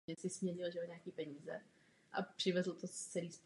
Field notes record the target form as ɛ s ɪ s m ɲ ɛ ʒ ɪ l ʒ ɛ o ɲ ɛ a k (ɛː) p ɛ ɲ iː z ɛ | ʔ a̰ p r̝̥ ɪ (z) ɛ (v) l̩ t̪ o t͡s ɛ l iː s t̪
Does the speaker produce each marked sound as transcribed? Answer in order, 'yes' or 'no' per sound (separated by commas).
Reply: no, no, no